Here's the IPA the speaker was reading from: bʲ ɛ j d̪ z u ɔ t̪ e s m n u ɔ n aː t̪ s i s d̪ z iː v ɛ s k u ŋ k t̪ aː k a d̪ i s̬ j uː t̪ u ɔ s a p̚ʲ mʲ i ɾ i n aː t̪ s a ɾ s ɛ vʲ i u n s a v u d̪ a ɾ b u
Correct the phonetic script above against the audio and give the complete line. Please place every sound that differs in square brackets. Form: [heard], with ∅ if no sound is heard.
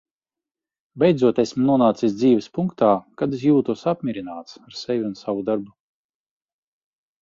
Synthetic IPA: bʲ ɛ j d̪ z u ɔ t̪ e s m n u ɔ n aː t̪ s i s d̪ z iː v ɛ s [p] u ŋ k t̪ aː k a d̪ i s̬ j uː t̪ u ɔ s a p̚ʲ mʲ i ɾ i n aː t̪ s a ɾ s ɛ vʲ i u n s a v u d̪ a ɾ b u